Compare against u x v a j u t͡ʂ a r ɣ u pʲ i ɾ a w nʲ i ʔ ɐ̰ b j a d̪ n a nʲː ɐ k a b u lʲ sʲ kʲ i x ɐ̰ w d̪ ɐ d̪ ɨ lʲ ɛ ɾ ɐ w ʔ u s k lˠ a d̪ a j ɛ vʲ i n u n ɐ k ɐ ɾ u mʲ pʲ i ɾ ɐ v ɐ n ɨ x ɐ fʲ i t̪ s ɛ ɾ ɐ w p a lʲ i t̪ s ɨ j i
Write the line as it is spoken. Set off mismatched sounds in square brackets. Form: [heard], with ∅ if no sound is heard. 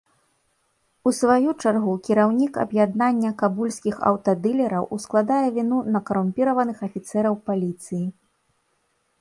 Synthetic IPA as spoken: u [s] v a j u t͡ʂ a r ɣ u [kʲ] i ɾ a w nʲ i [k] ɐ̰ b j a d̪ n a nʲː ɐ k a b u lʲ sʲ kʲ i x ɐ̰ w [t̪] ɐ d̪ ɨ lʲ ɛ ɾ ɐ w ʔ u s k lˠ a d̪ a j ɛ vʲ i n u n ɐ k ɐ ɾ u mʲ pʲ i ɾ ɐ v ɐ n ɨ x ɐ fʲ i t̪ s ɛ ɾ ɐ w p a lʲ i t̪ s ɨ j i